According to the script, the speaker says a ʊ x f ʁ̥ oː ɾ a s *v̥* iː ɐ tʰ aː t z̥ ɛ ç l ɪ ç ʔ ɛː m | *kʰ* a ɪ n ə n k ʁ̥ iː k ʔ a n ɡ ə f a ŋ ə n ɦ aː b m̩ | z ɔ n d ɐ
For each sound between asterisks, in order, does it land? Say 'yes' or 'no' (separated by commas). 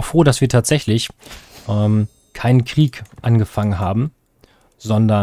yes, yes